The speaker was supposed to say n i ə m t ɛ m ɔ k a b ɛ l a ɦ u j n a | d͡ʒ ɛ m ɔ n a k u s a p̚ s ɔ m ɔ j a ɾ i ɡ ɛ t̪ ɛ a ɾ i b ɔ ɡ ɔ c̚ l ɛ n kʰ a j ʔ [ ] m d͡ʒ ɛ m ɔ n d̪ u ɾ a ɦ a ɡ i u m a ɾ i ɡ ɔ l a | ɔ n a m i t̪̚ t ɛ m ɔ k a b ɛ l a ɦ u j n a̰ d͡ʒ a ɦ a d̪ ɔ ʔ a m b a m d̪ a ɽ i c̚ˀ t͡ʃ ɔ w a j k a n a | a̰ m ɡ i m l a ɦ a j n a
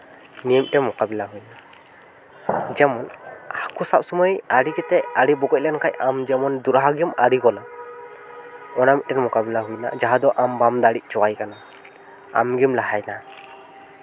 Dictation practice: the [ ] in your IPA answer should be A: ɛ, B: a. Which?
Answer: B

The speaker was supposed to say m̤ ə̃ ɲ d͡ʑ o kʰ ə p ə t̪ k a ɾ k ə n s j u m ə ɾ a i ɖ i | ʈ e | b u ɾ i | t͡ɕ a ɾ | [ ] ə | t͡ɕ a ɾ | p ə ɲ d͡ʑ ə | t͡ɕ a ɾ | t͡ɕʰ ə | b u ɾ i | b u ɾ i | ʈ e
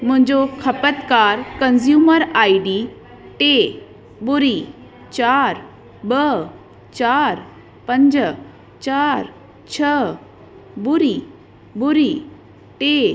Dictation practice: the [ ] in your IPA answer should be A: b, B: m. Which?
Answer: A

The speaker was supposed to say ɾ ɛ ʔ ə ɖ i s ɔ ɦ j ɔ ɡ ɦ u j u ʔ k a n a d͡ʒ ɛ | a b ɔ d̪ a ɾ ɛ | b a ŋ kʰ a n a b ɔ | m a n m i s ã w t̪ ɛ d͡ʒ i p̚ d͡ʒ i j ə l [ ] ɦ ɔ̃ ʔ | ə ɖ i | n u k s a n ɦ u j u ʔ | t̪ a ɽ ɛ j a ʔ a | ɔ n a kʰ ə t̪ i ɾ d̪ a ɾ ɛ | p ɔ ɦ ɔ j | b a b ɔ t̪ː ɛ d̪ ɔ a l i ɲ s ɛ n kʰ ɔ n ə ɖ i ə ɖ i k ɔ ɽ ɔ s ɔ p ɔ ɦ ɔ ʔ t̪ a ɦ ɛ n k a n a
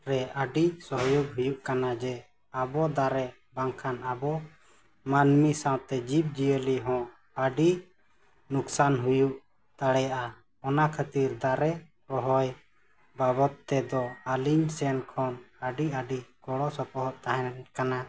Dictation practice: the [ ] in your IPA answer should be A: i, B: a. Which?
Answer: A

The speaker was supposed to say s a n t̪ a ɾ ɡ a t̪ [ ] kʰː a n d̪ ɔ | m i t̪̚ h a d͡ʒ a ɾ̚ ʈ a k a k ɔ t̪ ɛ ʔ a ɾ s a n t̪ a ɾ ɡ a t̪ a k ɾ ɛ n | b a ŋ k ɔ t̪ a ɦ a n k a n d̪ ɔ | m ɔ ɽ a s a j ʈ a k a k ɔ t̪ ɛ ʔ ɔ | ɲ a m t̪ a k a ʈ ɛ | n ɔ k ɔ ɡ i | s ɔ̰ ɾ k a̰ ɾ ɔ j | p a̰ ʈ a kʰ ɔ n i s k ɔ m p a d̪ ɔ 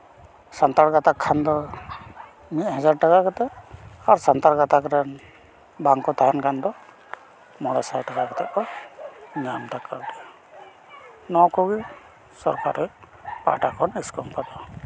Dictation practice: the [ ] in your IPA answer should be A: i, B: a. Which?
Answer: B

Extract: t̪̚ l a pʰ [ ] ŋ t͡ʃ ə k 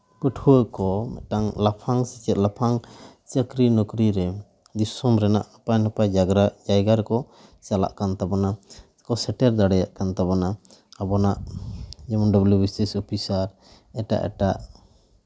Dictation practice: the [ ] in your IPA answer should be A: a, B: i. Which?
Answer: A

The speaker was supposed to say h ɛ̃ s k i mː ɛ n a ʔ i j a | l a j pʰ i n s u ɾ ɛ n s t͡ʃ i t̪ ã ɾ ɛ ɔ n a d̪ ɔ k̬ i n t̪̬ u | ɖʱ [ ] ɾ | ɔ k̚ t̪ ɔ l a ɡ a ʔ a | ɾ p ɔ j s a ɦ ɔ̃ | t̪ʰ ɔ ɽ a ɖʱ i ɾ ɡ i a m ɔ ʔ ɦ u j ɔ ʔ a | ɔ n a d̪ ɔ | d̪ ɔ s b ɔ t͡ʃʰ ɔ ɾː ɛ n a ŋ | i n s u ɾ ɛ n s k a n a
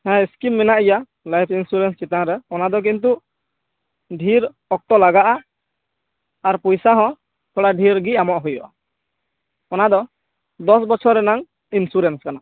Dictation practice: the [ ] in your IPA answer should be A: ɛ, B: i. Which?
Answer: B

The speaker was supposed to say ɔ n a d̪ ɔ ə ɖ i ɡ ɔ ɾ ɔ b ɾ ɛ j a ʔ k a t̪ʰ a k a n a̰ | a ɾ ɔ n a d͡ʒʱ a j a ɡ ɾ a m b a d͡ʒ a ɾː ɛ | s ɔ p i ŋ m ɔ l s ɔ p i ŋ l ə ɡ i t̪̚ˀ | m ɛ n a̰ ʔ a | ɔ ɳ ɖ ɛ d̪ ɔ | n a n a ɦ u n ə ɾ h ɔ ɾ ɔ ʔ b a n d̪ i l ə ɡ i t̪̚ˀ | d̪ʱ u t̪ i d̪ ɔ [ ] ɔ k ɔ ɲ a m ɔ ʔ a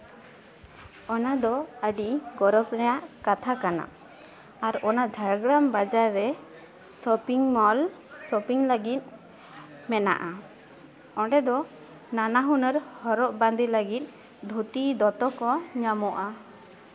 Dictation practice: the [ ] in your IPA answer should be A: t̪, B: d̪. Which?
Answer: A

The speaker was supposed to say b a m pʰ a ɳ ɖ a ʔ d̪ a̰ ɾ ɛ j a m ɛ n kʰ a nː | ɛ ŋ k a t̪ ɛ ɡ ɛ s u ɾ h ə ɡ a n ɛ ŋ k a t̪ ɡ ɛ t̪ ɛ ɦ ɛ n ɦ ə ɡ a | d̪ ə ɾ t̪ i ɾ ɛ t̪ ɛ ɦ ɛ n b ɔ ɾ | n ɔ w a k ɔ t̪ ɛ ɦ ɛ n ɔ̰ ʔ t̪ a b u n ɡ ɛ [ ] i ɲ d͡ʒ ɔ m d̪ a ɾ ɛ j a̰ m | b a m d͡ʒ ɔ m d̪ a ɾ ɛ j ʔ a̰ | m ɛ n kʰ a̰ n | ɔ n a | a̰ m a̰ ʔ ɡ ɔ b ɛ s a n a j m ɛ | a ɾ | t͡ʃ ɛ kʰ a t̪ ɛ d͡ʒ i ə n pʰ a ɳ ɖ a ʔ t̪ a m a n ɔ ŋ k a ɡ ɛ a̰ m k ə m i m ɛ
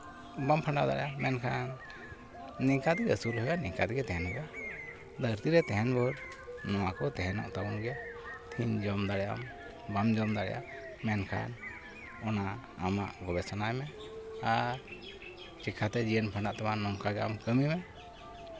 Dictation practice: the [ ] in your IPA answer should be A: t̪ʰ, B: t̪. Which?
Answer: A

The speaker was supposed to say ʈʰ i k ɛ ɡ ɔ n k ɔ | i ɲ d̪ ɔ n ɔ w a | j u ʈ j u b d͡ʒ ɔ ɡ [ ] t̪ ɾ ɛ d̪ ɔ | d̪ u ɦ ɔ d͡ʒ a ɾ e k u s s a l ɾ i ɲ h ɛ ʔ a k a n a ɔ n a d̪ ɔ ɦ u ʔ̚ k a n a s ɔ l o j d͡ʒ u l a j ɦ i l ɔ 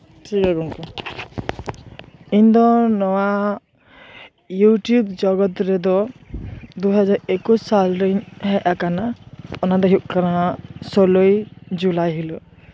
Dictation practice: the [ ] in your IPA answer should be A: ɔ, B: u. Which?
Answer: A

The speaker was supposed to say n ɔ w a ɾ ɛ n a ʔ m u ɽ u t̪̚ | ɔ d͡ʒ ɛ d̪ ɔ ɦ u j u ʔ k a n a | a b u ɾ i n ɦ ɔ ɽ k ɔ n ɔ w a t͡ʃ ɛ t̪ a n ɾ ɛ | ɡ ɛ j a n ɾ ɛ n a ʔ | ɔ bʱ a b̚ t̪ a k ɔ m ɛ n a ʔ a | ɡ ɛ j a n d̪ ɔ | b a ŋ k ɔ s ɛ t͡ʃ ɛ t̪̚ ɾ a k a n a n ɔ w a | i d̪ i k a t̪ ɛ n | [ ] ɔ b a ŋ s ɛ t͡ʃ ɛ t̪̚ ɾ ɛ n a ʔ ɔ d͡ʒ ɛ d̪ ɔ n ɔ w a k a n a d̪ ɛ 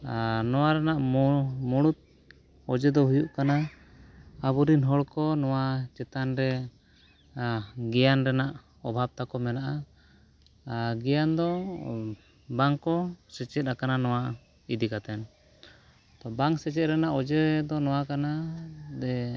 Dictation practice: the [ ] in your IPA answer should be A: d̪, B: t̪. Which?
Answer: B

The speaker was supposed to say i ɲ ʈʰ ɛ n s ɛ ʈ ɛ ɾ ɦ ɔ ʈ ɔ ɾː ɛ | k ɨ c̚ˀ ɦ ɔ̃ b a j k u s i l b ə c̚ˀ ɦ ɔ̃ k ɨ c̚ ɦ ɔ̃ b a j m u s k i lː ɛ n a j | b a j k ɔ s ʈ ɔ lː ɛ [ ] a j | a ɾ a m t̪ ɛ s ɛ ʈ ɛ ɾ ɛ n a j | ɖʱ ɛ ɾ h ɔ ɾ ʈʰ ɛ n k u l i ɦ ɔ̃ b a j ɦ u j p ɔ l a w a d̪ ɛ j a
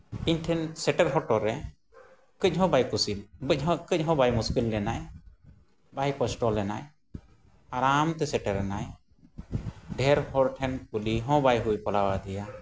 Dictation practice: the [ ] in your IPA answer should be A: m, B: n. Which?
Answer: B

